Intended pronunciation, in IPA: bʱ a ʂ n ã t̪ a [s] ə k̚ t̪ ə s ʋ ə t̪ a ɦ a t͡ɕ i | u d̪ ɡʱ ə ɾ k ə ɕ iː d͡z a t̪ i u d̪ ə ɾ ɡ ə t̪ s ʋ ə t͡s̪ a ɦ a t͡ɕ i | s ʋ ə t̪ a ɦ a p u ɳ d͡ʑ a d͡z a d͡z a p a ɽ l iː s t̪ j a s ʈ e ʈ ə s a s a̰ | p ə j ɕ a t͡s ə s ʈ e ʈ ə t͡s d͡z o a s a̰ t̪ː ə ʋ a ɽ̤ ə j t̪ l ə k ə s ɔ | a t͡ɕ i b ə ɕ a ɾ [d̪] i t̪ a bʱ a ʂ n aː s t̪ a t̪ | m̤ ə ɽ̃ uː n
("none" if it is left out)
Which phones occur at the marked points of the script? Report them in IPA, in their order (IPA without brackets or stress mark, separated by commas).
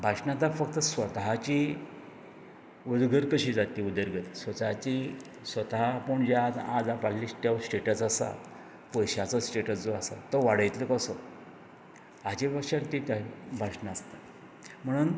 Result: f, t̪